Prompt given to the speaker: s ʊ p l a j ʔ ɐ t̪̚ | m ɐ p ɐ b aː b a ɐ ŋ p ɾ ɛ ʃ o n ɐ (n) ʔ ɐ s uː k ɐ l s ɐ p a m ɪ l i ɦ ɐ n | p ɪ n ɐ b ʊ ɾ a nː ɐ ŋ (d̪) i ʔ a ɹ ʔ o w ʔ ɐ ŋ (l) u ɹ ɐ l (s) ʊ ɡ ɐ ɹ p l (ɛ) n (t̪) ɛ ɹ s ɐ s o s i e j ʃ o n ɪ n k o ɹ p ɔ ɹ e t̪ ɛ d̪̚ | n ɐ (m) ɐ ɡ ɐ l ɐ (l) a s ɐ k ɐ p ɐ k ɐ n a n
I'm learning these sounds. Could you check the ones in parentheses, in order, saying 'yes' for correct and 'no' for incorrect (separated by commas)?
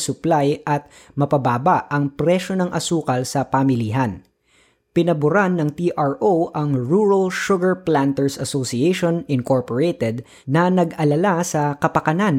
no, no, no, no, no, yes, no, yes